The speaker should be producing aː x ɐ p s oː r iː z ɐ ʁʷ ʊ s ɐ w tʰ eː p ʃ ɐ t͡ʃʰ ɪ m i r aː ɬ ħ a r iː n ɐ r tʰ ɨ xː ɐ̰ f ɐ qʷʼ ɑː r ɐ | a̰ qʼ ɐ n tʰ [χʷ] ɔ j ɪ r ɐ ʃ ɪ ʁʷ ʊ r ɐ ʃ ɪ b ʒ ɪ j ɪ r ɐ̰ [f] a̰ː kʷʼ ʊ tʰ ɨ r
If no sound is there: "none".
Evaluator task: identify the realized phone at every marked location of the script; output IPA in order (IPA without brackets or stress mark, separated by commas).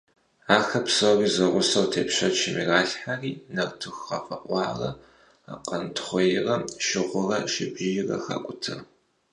χʷ, x